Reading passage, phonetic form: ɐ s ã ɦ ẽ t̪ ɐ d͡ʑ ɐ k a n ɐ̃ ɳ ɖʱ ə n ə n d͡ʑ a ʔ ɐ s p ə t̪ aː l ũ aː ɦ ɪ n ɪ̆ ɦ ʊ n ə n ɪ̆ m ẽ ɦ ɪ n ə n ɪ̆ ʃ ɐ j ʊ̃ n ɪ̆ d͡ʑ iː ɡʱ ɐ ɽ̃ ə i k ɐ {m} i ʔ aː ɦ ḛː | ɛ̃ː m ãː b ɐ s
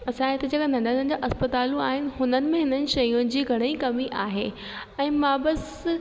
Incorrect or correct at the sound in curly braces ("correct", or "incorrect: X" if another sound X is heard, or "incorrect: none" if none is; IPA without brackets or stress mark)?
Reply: correct